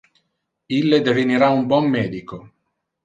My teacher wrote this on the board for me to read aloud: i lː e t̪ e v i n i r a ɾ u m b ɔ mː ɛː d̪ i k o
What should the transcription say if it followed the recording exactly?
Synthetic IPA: i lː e d̪ e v i n i ɾ a u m b ɔ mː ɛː d̪ i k o

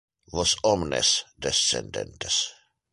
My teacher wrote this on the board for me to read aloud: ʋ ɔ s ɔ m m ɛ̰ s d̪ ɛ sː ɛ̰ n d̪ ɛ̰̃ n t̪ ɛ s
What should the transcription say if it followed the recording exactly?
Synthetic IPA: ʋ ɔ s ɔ m n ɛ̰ s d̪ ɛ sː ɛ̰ n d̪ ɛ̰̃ n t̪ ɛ s

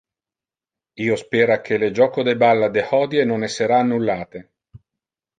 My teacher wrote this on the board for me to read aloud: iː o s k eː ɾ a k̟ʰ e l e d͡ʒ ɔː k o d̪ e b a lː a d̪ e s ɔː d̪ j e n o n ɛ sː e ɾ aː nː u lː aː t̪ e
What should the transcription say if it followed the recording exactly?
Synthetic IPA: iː o s p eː ɾ a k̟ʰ e l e d͡ʒ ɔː k o d̪ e b a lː a d̪ e h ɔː d̪ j e n o n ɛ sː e ɾ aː nː u lː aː t̪ e

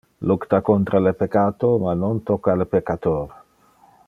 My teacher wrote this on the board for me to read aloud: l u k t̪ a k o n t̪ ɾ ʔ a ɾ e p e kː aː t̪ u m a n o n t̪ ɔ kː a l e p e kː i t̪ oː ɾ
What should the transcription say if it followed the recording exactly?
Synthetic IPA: l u k t̪ a k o n t̪ ɾ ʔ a l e p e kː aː t̪ o m a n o n t̪ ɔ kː a l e p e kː a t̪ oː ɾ

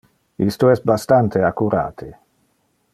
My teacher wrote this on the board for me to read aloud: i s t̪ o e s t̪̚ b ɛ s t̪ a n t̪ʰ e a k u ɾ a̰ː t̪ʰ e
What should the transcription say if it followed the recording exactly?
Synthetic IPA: i s t̪ o ɛ s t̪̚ b a s t̪ a n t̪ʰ e a k u ɾ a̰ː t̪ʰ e

